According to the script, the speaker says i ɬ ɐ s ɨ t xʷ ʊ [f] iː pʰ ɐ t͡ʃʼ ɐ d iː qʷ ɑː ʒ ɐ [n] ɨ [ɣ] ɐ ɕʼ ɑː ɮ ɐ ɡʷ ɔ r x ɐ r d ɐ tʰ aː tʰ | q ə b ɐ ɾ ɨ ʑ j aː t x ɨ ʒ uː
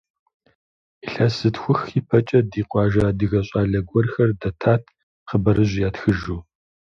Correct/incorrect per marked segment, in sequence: incorrect: x, incorrect: d, correct

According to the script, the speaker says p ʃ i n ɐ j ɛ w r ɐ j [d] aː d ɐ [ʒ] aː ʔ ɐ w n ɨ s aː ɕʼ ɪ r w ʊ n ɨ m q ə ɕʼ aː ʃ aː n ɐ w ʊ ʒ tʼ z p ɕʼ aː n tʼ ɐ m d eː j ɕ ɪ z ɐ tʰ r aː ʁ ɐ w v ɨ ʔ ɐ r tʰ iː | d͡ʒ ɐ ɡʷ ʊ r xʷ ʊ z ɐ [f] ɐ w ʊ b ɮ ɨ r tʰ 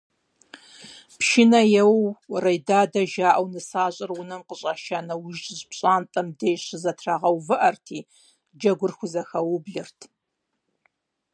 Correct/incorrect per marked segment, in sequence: correct, correct, incorrect: x

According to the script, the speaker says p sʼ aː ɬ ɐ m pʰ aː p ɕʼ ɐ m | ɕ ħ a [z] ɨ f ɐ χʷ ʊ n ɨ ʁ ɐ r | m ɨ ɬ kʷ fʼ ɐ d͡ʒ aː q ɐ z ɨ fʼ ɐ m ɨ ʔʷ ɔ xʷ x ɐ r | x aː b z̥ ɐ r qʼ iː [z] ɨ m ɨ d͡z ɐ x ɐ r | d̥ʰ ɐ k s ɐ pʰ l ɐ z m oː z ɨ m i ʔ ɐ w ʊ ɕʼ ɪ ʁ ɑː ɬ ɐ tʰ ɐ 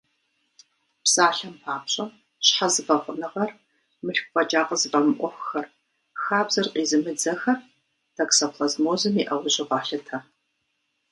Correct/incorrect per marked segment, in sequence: correct, correct

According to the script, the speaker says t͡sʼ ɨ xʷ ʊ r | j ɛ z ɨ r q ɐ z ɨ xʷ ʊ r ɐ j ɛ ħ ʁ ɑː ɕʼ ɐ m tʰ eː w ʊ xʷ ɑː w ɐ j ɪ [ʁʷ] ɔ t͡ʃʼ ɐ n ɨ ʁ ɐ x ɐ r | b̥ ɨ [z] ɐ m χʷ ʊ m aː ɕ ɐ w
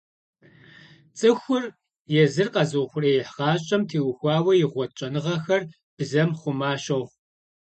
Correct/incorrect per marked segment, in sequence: correct, correct

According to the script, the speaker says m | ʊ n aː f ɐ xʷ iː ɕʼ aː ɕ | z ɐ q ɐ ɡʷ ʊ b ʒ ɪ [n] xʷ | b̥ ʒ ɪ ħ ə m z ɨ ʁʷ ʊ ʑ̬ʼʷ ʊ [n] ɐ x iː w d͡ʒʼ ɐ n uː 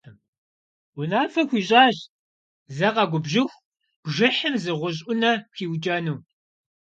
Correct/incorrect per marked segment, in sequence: incorrect: none, correct

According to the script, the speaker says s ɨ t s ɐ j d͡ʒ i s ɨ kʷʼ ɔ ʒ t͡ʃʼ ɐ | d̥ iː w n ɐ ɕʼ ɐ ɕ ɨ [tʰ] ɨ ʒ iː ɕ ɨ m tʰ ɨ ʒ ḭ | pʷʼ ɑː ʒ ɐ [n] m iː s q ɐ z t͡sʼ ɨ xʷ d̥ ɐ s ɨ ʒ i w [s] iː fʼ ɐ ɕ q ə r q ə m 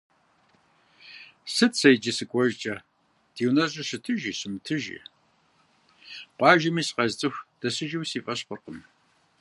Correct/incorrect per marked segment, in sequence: correct, incorrect: none, correct

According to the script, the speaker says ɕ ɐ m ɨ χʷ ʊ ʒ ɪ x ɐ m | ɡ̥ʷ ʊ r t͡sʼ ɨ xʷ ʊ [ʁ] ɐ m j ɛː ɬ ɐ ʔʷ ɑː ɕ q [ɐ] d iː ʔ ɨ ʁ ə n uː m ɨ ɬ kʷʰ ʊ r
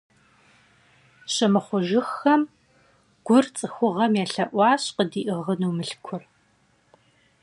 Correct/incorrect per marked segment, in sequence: correct, incorrect: ə

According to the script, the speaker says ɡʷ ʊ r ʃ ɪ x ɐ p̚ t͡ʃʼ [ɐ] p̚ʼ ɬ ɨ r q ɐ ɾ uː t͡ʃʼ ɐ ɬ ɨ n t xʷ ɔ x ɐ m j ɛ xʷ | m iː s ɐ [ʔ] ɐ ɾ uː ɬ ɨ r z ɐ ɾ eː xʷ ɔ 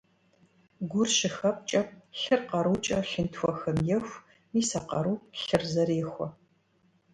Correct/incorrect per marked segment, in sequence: correct, incorrect: q

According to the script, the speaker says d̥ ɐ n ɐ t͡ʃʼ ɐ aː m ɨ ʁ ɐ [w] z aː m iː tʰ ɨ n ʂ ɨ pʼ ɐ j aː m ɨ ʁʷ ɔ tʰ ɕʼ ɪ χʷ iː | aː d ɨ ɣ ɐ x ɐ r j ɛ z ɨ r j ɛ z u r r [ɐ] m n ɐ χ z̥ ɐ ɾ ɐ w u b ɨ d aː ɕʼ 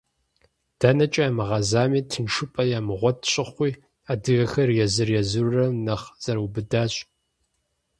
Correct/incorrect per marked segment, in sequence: incorrect: none, correct

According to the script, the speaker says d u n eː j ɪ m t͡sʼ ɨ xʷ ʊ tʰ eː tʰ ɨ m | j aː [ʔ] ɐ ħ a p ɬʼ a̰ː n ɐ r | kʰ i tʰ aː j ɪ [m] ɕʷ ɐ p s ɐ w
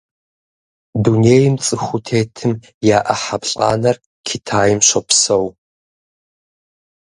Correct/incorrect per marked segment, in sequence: correct, correct

